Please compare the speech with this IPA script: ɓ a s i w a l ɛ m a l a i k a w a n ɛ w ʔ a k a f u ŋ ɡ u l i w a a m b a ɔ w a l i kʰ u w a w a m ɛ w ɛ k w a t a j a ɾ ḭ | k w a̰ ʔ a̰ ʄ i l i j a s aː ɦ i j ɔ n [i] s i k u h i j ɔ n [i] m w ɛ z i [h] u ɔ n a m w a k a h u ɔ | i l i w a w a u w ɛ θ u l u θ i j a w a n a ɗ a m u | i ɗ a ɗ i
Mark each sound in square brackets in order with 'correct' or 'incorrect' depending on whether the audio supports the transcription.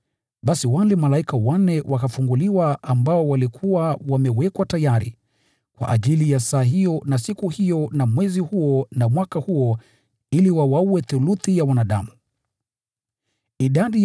incorrect, incorrect, correct

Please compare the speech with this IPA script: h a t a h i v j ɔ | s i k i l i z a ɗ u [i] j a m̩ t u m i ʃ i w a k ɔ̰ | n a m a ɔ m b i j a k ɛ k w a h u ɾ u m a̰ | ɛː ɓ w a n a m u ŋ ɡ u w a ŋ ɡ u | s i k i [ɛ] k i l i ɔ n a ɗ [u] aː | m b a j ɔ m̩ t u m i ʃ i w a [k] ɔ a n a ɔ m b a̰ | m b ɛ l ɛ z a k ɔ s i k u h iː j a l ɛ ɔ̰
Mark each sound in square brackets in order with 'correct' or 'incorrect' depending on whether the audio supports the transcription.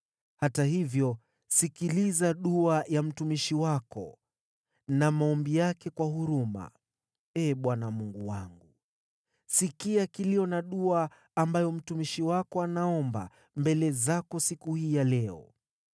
incorrect, incorrect, correct, correct

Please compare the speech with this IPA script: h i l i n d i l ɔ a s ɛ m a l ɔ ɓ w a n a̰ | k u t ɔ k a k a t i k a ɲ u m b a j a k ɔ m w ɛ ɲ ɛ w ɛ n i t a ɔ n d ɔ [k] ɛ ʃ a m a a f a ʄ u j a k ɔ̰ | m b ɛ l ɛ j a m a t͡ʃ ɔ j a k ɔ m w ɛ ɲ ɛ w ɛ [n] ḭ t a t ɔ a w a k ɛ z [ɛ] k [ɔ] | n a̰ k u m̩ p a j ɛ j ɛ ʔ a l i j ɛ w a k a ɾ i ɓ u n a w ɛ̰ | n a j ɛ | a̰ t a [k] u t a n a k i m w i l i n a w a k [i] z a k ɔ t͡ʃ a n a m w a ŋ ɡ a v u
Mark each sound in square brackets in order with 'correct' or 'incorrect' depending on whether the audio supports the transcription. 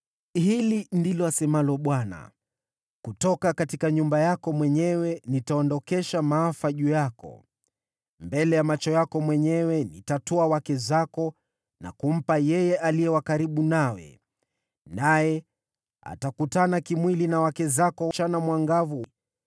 correct, correct, incorrect, correct, correct, incorrect

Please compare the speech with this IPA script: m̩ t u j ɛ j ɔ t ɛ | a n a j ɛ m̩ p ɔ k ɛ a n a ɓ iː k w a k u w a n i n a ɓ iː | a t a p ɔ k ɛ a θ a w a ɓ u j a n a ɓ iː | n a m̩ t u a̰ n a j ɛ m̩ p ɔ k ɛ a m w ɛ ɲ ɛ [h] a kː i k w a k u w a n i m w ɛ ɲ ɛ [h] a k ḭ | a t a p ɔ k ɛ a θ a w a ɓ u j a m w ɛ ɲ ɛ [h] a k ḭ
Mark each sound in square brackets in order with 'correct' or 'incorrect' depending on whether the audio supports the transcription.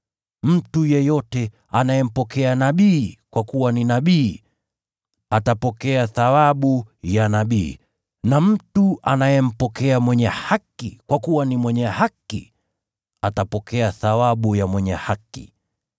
correct, correct, correct

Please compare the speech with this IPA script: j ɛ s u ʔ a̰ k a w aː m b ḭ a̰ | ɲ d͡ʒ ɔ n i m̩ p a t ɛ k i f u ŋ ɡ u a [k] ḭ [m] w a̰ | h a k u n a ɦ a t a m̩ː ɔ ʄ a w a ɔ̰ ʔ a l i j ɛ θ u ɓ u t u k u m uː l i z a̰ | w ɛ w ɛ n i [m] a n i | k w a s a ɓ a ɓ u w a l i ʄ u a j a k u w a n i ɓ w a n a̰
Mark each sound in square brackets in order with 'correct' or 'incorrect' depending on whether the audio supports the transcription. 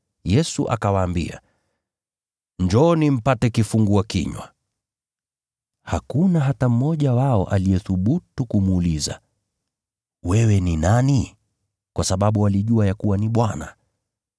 correct, incorrect, incorrect

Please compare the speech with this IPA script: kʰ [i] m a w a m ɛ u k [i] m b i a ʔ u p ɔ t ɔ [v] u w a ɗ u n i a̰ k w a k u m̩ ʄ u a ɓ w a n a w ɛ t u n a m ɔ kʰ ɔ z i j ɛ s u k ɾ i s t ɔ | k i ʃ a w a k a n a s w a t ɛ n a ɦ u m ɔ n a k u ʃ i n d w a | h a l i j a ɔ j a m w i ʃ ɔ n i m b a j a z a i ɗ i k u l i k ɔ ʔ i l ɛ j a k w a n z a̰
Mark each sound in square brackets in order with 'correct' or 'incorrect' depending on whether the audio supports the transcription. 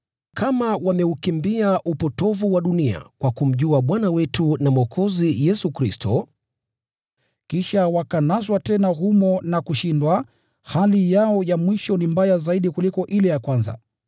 incorrect, correct, correct

